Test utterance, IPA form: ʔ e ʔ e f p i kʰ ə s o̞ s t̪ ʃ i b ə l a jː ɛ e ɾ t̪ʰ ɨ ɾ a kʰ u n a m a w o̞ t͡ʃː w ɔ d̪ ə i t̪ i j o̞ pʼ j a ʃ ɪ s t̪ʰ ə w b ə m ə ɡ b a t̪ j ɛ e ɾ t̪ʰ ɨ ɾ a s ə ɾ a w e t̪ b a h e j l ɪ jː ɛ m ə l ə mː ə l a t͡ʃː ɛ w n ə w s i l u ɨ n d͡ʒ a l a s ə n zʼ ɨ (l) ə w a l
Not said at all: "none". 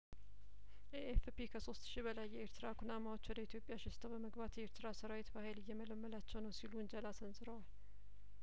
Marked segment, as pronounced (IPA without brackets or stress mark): ɾ